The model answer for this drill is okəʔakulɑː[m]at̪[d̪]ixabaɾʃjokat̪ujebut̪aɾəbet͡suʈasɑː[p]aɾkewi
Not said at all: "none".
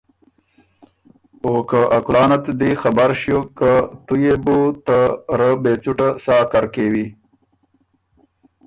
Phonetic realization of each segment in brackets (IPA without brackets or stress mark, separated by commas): n, d̪, k